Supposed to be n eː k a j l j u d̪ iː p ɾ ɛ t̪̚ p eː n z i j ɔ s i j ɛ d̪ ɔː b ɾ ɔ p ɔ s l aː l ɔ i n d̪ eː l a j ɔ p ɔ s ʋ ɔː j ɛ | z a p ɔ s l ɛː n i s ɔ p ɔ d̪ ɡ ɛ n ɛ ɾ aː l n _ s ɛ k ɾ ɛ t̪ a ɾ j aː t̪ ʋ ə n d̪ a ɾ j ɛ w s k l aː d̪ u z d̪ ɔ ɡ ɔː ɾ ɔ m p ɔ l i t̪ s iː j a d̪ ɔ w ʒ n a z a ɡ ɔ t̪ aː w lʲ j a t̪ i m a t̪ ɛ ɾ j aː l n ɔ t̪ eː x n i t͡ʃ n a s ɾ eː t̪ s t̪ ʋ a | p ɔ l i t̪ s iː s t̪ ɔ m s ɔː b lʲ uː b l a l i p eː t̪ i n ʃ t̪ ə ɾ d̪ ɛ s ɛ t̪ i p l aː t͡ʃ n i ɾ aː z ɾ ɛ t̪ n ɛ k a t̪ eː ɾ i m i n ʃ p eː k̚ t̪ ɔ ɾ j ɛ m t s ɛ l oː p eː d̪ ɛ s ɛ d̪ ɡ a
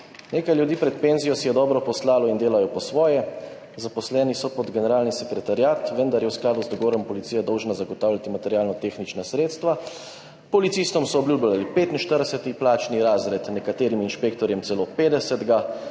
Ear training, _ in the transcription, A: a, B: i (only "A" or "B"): B